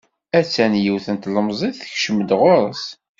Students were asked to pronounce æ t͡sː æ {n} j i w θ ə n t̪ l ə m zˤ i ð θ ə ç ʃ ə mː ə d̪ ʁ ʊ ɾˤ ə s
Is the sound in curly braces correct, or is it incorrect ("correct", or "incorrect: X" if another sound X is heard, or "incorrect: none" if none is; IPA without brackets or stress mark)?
correct